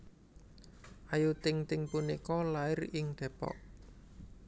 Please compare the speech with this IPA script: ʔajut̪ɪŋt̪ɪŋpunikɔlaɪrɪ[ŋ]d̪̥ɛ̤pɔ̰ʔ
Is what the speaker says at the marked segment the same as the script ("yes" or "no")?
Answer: yes